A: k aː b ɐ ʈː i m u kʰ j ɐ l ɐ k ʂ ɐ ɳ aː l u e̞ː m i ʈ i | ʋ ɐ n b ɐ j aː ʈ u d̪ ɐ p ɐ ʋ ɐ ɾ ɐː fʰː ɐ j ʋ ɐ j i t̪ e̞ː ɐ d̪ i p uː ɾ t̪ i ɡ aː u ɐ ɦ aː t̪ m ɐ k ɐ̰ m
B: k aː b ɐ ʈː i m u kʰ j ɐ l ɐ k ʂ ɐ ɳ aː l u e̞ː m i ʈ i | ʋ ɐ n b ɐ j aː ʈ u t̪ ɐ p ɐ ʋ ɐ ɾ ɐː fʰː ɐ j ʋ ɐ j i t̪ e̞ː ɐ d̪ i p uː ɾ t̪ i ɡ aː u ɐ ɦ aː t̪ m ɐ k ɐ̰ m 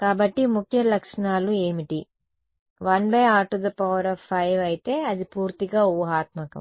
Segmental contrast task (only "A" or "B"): A